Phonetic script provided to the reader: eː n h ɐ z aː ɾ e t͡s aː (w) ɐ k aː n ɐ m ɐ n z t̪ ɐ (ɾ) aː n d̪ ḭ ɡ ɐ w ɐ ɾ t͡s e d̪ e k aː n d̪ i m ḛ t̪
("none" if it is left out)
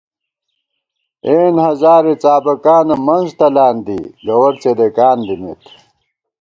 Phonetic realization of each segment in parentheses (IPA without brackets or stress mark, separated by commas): b, l